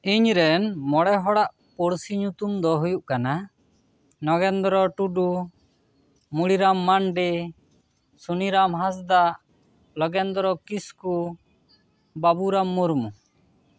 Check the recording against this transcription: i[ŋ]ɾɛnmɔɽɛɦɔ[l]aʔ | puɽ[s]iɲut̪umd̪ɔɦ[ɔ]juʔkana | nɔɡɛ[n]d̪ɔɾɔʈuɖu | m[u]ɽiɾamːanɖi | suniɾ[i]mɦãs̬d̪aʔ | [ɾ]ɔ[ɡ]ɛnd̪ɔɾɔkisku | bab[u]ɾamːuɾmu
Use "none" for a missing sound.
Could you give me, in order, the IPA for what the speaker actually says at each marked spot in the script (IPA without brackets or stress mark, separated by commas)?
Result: ɲ, ɽ, s, u, n, u, a, l, ɡ, u